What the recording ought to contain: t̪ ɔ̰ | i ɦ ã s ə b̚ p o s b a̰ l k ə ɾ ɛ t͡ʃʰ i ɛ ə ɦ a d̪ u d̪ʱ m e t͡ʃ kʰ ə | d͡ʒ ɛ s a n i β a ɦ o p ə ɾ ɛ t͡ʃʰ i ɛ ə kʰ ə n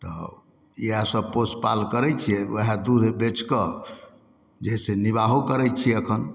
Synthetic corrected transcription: t̪ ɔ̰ | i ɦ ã s ə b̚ p o s p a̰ l k ə ɾ ɛ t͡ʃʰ i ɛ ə ɦ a d̪ u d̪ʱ b e t͡ʃ k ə | d͡ʒ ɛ s e n i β a ɦ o k ə ɾ ɛ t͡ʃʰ i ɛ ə kʰ ə n